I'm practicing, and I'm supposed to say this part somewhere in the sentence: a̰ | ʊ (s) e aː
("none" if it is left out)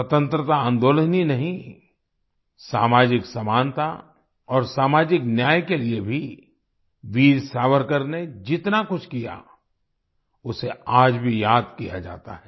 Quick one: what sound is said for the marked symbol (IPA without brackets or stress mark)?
s